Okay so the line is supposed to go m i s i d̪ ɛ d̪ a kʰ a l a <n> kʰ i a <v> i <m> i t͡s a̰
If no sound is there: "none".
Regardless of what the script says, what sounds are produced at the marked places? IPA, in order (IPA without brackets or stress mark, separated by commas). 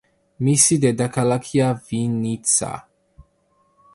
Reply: none, v, n